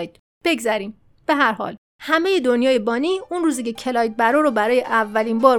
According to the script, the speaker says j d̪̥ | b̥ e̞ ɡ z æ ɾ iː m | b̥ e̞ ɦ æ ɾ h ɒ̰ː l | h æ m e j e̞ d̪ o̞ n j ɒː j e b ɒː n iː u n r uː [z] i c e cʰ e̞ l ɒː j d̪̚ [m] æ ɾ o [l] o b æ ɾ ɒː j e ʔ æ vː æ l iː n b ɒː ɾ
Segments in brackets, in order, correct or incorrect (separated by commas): correct, incorrect, incorrect